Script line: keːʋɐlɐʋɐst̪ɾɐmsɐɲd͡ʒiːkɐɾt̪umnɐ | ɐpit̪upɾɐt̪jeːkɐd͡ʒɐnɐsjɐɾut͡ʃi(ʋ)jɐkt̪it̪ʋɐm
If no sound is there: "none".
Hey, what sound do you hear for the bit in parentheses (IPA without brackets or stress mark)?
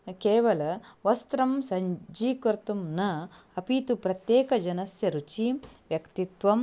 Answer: ʋ